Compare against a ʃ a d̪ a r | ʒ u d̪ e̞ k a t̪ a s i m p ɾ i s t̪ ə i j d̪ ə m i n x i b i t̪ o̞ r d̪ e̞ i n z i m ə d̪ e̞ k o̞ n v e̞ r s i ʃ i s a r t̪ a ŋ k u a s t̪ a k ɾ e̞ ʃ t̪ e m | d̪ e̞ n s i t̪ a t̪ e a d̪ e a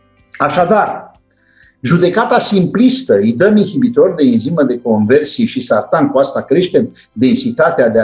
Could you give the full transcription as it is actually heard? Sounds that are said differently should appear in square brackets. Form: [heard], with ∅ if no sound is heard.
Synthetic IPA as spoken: a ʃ a d̪ a r | ʒ u d̪ e̞ k a t̪ a s i m p [l] i s t̪ ə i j d̪ ə m i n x i b i t̪ o̞ r d̪ e̞ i n z i m ə d̪ e̞ k o̞ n v e̞ r s i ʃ i s a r t̪ a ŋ k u a s t̪ a k ɾ e̞ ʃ t̪ e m | d̪ e̞ n s i t̪ a t̪ e a d̪ e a